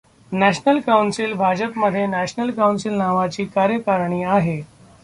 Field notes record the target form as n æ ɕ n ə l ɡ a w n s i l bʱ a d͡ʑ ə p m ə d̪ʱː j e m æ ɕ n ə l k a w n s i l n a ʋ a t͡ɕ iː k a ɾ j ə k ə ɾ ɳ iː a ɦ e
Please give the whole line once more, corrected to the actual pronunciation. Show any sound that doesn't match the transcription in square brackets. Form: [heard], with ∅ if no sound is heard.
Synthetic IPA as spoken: n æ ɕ n ə l [k] a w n s i l bʱ a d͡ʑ ə p m ə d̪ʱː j e [n] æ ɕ n ə l k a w n s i l n a ʋ a t͡ɕ iː k a ɾ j ə k [a] ɾ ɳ iː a ɦ e